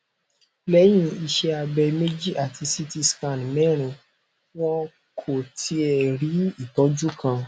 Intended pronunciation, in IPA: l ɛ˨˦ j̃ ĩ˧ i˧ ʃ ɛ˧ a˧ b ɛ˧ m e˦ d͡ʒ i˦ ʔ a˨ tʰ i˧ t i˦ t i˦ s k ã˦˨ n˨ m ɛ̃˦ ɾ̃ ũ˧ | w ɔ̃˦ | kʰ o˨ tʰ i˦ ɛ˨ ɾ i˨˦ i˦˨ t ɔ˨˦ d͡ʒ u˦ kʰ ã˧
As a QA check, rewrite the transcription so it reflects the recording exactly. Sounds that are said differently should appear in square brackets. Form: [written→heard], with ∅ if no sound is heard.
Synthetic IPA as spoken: l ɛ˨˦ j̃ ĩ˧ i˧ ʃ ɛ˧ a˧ b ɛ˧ m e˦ d͡ʒ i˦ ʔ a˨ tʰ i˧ [t→s] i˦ t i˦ s k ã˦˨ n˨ m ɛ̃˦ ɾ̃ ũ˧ | w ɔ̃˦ | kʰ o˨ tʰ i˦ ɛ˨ ɾ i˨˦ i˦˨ t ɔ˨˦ d͡ʒ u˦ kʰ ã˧